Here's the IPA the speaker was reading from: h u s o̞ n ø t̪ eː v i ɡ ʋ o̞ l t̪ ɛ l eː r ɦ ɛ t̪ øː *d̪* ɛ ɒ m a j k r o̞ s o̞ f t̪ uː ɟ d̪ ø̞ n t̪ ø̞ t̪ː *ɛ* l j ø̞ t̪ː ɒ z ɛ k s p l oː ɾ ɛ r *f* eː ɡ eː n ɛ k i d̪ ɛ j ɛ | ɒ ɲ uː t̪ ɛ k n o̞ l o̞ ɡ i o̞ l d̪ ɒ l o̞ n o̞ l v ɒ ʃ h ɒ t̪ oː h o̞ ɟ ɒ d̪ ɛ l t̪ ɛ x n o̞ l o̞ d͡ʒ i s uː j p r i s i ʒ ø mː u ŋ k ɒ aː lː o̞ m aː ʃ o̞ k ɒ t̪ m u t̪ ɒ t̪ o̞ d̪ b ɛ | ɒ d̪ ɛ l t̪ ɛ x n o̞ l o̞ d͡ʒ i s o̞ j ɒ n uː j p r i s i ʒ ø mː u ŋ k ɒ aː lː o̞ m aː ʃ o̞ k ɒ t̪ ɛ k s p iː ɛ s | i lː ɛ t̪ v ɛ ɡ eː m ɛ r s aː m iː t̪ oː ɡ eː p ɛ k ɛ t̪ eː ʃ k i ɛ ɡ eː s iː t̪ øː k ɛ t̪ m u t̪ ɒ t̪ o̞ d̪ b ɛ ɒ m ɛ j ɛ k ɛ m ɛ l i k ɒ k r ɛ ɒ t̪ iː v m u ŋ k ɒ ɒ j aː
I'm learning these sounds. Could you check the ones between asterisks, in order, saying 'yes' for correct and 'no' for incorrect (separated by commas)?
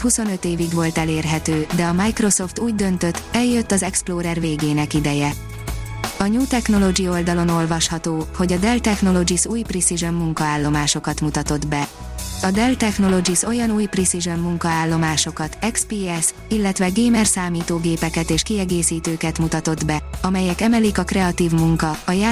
yes, yes, no